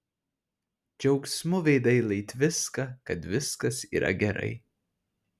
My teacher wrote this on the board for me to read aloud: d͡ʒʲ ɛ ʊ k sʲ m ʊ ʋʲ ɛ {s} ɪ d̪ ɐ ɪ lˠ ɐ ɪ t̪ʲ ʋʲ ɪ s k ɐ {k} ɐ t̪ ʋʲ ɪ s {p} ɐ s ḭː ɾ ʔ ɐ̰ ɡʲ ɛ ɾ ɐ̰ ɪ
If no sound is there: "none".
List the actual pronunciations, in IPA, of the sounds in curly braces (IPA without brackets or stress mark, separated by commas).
none, k, k